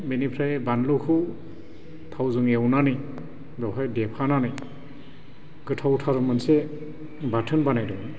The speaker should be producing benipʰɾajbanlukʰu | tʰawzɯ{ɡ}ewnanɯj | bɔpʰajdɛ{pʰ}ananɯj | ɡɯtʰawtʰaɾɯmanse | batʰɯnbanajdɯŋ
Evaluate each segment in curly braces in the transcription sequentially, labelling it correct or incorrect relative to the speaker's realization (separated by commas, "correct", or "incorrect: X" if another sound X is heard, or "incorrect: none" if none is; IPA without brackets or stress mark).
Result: incorrect: ŋ, correct